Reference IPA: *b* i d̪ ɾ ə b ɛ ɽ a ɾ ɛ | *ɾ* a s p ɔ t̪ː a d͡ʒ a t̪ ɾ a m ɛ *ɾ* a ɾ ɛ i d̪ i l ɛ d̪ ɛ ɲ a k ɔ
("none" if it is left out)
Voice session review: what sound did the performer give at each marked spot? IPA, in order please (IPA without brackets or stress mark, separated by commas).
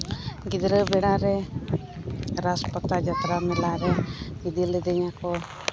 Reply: ɡ, ɾ, l